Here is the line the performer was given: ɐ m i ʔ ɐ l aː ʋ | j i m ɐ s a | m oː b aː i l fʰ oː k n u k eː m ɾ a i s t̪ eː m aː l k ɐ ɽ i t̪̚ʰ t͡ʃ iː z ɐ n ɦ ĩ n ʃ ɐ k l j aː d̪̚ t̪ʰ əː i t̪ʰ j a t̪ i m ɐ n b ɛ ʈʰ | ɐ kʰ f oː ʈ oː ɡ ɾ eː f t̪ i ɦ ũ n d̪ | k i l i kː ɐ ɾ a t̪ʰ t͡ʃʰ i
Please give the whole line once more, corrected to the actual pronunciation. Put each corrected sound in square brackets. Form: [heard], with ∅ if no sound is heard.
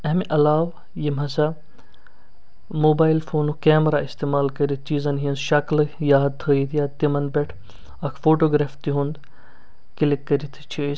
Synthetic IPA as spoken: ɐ m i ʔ ɐ l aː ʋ | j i m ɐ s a | m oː b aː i l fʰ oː [∅] n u k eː m ɾ a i s t̪ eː m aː l k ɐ [ɾ] i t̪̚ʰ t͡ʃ iː z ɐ n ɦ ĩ n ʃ ɐ k l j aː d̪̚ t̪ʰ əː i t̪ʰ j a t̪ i m ɐ n b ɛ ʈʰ | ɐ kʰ f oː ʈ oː ɡ ɾ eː f t̪ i ɦ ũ n d̪ | k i l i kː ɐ ɾ [i] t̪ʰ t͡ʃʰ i